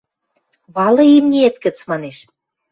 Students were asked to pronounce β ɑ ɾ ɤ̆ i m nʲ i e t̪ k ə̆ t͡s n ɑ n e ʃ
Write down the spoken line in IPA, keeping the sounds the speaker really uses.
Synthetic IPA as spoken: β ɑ l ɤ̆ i m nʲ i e t̪ k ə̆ t͡s m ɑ n e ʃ